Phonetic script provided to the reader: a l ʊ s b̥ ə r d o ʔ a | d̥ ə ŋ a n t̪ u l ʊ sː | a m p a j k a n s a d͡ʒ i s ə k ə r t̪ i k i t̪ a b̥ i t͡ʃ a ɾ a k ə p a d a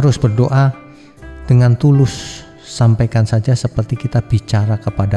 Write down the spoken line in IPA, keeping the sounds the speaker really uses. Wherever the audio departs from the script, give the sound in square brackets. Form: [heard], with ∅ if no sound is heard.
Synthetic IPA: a [ɾ] ʊ s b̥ ə r d o ʔ a | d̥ ə ŋ a n t̪ u l ʊ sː | a m p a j k a n s a d͡ʒ [a] s ə [p] ə r t̪ i k i t̪ a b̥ i t͡ʃ a ɾ a k ə p a d a